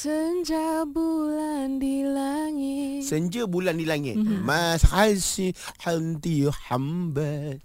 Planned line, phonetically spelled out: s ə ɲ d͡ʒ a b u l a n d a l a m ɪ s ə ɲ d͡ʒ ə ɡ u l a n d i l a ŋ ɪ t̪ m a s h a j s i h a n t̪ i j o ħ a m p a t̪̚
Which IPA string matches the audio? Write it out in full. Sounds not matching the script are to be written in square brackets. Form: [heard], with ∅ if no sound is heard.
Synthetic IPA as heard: s ə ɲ d͡ʒ a b u l a n d [i] l a [ŋ] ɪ s ə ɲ d͡ʒ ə [b] u l a n d i l a ŋ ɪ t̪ m a s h a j s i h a n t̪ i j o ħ a m [b] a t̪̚